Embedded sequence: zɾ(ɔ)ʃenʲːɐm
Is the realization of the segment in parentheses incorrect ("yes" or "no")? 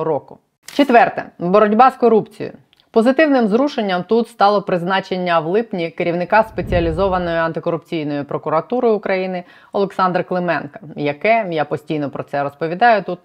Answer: yes